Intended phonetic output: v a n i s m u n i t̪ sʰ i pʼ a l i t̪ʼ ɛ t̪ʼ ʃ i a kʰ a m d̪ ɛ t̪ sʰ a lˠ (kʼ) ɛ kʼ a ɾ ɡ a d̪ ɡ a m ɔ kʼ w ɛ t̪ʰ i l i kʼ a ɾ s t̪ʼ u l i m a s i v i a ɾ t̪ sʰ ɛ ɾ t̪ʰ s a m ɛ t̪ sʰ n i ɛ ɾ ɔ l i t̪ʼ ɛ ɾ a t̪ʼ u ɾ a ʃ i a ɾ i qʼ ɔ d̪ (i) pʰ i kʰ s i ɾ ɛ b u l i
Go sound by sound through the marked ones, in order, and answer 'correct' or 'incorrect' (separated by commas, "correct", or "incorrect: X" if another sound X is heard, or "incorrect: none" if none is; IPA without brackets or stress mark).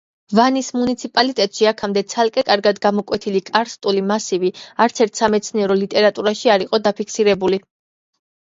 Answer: correct, incorrect: a